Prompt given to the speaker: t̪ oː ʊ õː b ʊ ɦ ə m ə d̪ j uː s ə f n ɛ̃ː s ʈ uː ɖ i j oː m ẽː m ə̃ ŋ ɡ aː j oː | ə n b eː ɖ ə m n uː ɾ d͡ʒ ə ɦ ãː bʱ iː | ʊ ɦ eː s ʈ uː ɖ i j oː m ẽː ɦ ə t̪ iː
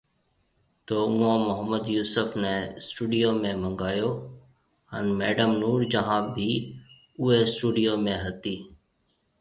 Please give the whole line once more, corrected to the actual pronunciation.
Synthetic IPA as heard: t̪ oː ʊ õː m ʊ ɦ ə m ə d̪ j uː s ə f n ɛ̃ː s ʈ uː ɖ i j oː m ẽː m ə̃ ŋ ɡ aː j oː | ə n m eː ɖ ə m n uː ɾ d͡ʒ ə ɦ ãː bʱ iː | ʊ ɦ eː s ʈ uː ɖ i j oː m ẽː ɦ ə t̪ iː